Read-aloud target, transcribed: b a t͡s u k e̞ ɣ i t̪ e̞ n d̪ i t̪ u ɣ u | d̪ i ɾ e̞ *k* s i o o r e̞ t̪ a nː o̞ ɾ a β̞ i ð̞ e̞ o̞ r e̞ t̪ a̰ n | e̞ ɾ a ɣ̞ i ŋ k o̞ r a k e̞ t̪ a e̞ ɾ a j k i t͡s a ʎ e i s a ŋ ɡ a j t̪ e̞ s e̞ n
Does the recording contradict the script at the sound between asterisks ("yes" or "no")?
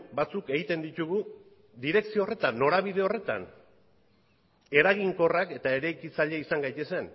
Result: no